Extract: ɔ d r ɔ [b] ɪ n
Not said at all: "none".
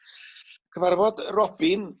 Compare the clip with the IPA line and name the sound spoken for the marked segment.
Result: b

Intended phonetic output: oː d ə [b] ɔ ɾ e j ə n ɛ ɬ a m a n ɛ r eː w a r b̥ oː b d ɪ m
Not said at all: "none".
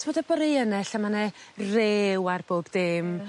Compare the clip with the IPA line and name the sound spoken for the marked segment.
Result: b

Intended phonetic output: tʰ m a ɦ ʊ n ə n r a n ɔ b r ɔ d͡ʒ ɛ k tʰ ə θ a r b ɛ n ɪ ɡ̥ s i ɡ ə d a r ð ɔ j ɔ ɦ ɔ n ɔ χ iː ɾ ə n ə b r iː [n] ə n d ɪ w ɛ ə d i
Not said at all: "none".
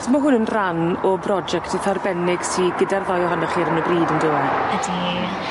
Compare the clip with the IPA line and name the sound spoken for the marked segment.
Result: d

